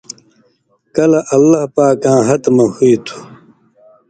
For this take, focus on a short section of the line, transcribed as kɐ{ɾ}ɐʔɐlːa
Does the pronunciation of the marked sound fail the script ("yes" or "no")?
yes